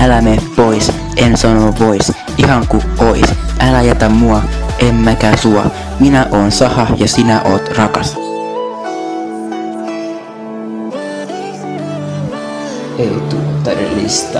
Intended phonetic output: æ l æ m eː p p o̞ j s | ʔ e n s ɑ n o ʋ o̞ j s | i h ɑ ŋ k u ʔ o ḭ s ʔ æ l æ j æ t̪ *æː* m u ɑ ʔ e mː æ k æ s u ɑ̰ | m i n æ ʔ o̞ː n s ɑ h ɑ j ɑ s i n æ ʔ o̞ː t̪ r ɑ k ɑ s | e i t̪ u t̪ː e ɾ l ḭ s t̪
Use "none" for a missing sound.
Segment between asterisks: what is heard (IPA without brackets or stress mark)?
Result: æ